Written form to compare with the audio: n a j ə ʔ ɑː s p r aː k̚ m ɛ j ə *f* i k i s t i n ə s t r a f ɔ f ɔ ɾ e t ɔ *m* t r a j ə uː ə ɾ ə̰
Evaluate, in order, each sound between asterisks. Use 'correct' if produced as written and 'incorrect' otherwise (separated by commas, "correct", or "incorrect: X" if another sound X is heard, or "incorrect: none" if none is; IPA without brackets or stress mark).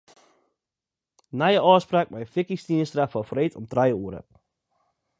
correct, correct